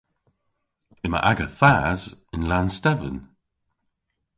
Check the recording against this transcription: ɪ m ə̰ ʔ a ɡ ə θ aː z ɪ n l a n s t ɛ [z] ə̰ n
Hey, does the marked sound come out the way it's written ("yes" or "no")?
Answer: no